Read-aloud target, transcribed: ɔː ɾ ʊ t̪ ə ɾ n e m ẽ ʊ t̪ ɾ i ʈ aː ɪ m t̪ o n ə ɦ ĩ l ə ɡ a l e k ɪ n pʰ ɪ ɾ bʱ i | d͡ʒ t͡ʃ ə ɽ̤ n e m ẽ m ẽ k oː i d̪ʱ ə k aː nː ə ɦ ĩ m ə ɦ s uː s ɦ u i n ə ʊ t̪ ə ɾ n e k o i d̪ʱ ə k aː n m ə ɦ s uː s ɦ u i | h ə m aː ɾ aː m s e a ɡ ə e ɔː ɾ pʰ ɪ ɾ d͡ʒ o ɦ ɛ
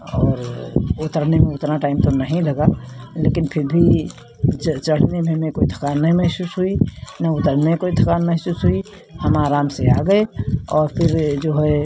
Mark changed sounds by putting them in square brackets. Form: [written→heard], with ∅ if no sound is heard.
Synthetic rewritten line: ɔː ɾ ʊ t̪ ə ɾ n e m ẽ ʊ t̪ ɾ [i→a] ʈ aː ɪ m t̪ o n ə ɦ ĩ l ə ɡ a l e k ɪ n pʰ ɪ ɾ bʱ i | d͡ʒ t͡ʃ ə ɽ̤ n e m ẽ m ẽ k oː i d̪ʱ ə k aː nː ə ɦ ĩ m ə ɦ s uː s ɦ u i n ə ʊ t̪ ə ɾ n e k o i d̪ʱ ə k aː n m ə ɦ s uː s ɦ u i | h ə m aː ɾ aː m s e a ɡ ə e ɔː ɾ pʰ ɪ ɾ d͡ʒ o ɦ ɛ